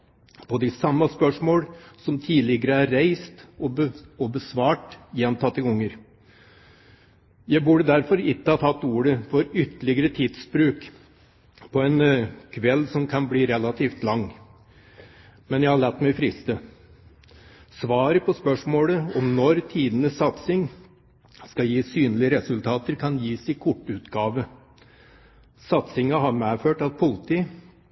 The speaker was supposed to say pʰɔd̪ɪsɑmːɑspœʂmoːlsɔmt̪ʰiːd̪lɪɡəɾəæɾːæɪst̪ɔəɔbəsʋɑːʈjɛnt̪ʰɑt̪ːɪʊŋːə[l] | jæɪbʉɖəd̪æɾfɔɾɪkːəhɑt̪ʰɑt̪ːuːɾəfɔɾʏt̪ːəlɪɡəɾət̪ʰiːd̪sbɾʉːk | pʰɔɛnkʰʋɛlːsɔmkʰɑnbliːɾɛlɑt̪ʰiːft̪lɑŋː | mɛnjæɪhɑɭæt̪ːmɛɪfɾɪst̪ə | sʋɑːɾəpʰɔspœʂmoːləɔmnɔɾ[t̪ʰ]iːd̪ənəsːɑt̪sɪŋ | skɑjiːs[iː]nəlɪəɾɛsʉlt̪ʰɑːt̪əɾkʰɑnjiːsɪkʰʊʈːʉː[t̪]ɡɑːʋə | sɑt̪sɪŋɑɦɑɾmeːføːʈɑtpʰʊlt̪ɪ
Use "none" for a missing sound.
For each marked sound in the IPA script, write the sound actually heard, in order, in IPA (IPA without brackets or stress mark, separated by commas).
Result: ɾ, t̪ʰ, yː, t̪